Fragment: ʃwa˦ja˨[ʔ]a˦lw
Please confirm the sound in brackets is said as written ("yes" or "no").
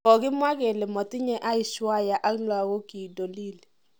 yes